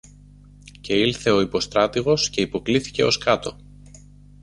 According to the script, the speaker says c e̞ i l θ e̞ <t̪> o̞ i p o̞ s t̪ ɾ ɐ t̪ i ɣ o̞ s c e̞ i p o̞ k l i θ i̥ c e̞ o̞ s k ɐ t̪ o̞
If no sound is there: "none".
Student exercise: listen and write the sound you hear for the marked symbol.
none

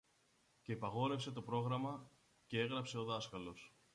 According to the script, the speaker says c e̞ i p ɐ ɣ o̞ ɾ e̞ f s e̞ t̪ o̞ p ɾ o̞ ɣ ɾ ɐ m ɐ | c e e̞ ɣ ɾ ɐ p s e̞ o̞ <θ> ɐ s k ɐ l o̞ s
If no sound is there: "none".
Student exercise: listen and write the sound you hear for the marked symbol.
ð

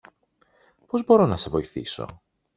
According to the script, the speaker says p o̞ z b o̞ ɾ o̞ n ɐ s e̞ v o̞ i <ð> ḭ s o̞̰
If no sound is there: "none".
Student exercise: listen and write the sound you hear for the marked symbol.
θ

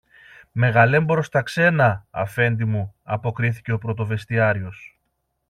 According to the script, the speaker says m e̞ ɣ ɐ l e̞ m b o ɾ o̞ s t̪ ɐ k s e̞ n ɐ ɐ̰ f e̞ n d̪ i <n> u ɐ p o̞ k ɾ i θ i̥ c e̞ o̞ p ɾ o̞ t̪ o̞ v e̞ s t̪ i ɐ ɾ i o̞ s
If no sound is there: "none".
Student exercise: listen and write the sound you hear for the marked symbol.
m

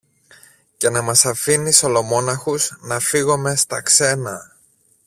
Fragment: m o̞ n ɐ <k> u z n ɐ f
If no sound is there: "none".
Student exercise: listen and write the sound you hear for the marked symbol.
x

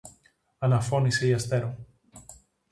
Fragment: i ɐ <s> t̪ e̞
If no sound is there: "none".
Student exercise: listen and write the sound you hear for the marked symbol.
s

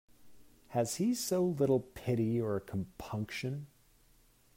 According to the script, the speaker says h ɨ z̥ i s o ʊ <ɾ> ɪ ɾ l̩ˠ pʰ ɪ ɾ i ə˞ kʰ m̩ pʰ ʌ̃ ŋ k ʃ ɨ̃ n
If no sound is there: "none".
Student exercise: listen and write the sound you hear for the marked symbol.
l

